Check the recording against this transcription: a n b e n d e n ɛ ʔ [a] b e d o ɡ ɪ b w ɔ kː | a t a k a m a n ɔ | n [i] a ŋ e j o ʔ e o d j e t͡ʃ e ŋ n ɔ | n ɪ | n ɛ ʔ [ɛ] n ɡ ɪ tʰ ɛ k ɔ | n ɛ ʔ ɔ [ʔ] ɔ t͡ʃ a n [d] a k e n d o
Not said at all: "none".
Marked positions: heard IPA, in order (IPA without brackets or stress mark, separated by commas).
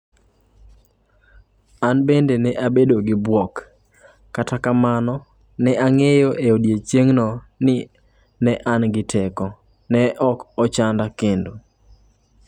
a, ɛ, a, k, d